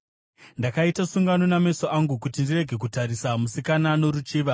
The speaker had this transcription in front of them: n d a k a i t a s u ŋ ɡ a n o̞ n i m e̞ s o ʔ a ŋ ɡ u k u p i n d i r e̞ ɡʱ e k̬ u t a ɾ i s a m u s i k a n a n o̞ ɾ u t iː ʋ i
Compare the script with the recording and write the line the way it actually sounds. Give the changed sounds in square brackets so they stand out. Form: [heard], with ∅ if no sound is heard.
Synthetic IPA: n d a k a i t a s u ŋ ɡ a n o̞ n [a] m e̞ s o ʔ a ŋ ɡ u k u [t] i n d i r e̞ ɡʱ e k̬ u t a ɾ i s a m u s i k a n a n o̞ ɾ u [t͡ʃ] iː ʋ [a]